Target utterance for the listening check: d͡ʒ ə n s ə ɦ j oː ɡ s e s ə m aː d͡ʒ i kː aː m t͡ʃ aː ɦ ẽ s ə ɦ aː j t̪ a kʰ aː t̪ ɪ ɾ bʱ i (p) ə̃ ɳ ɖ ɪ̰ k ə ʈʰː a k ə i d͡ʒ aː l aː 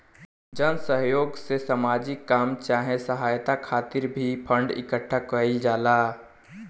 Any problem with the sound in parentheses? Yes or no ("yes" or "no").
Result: yes